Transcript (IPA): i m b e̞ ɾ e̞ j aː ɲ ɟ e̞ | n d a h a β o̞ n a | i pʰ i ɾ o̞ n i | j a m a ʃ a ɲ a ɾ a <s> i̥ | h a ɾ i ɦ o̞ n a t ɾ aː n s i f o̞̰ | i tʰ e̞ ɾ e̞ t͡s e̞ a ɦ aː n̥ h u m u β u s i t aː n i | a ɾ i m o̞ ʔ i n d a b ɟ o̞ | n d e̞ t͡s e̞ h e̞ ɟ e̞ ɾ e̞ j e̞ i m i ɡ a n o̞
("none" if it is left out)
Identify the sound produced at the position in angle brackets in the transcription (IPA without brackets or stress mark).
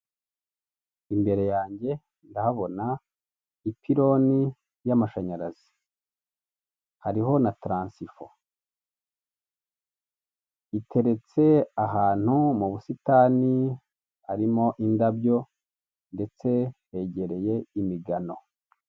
z